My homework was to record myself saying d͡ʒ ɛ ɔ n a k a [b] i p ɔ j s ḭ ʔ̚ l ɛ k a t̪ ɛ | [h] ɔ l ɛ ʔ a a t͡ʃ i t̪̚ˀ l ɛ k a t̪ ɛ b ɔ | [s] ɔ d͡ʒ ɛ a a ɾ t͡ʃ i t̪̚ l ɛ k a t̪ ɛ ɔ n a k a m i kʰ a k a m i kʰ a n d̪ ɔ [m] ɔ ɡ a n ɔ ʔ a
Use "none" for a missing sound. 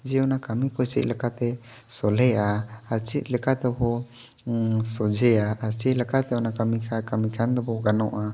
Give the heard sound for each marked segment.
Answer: m, s, s, b

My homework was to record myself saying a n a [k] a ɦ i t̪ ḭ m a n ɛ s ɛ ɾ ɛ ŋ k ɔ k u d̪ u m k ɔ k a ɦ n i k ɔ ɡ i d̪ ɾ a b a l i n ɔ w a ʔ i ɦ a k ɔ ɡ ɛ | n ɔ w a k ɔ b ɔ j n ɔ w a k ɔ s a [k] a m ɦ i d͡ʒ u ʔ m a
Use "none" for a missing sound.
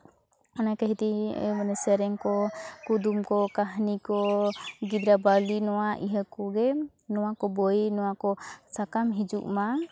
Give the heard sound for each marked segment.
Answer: k, k

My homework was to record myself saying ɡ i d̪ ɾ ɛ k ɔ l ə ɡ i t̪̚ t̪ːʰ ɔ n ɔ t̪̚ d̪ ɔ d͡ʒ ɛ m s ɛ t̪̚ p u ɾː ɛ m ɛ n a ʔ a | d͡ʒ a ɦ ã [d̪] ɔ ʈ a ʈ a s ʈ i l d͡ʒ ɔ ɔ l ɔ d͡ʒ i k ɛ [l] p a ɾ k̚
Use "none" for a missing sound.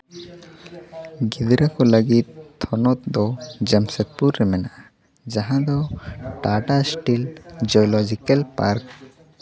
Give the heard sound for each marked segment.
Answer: d̪, l

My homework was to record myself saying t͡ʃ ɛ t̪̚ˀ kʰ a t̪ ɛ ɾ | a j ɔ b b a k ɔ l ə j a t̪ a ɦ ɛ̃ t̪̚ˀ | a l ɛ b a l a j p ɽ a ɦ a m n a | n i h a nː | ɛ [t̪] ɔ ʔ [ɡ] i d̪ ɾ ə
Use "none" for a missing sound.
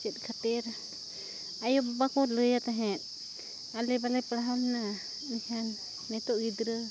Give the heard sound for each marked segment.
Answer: t̪, ɡ

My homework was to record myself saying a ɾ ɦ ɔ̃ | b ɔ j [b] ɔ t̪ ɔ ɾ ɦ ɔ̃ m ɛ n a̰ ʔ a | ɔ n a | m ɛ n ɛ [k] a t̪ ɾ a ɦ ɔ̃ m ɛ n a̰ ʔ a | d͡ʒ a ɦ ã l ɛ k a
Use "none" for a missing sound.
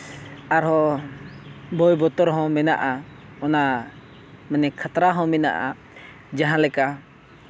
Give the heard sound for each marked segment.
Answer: b, kʰ

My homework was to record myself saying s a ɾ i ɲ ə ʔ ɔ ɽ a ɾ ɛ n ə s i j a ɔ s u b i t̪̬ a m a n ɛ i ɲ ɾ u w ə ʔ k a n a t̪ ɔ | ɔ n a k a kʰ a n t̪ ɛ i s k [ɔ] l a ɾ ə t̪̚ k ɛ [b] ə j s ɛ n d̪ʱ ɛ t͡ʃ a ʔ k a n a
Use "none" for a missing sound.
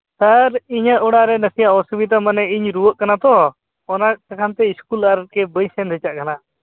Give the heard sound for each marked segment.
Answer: u, b

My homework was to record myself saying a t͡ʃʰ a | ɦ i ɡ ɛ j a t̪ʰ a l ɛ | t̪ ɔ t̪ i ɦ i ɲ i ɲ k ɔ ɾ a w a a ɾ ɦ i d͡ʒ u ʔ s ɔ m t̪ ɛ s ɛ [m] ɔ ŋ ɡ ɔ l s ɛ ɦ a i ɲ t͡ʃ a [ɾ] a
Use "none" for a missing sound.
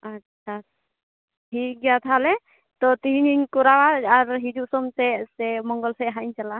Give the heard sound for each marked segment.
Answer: m, l

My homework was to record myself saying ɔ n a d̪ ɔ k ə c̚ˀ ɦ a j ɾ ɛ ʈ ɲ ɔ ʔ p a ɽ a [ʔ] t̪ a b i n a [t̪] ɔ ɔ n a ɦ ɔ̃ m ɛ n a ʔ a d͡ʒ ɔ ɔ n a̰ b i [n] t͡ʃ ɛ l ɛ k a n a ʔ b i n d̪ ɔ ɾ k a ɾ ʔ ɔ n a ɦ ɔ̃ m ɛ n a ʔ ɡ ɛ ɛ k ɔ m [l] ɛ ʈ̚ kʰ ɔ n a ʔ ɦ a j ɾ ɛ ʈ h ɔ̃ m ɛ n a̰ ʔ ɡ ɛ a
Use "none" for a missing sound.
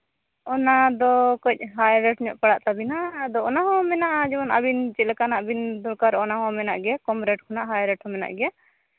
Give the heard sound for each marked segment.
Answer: ʔ, d̪, n, ɾ

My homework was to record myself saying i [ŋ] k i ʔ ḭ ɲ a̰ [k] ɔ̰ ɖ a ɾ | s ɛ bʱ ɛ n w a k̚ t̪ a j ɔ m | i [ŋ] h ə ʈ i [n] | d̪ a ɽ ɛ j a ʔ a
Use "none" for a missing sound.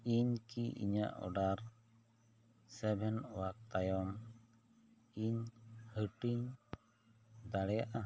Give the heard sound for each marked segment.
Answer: ɲ, ʔ, ɲ, ɲ

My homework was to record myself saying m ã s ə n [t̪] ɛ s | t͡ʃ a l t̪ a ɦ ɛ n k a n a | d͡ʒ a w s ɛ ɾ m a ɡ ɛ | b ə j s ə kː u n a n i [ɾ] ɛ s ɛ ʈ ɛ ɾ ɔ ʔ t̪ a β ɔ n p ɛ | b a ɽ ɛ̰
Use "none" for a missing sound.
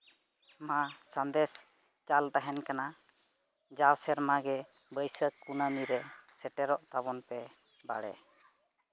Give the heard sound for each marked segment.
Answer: d̪, ɾ

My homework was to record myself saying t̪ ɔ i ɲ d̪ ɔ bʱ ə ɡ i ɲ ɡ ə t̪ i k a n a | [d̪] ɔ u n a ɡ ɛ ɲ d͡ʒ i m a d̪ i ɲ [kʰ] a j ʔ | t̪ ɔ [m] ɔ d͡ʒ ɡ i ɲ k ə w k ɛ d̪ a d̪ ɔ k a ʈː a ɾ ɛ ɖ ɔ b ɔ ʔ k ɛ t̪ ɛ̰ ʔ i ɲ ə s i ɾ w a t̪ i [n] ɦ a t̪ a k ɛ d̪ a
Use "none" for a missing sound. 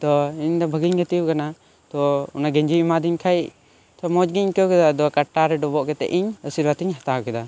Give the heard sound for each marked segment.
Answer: t̪, kʰ, m, ɲ

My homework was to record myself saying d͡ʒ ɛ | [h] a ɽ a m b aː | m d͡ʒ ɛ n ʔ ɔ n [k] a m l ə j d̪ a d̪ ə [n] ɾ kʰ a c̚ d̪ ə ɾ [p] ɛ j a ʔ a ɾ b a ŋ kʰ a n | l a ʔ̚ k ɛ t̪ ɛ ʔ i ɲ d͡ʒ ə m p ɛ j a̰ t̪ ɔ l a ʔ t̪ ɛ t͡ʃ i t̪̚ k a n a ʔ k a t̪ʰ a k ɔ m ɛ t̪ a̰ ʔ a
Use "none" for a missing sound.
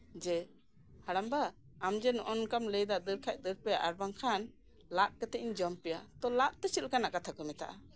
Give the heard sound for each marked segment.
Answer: h, k, none, p

